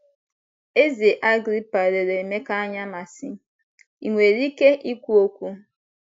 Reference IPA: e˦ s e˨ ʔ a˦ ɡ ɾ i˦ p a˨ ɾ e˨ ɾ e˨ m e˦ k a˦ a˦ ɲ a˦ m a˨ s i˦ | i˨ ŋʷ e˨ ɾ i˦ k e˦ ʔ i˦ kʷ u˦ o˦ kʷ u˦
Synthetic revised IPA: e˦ z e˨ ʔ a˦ ɡ ɾ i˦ p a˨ ɾ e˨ ɾ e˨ m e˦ k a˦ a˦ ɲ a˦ m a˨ s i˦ | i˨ ŋʷ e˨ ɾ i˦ k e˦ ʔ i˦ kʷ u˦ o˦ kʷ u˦